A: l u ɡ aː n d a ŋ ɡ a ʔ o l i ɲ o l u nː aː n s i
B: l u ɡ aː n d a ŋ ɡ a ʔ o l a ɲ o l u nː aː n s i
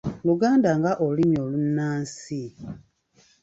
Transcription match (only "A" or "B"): A